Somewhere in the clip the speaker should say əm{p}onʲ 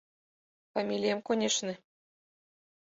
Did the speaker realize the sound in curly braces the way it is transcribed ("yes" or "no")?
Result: no